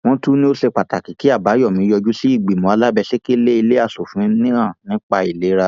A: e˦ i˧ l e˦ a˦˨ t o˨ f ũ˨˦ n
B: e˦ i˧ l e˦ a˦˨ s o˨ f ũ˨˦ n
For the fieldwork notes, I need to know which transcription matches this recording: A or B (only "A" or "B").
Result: B